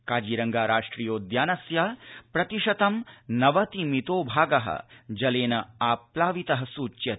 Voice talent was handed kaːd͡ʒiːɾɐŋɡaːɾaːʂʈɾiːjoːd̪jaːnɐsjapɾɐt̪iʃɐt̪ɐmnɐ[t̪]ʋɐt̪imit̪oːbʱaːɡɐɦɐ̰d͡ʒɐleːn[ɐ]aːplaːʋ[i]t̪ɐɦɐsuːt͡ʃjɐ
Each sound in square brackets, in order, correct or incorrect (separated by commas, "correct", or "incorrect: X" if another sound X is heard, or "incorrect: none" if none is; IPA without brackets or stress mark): incorrect: none, correct, correct